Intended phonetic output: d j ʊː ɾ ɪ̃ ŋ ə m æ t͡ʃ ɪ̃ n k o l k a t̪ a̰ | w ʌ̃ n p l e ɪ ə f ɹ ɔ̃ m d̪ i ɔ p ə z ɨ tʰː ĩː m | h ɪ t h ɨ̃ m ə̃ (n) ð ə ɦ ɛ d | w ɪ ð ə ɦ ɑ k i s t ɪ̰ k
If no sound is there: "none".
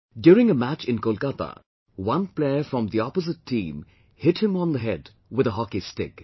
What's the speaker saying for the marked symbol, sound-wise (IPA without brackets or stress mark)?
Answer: n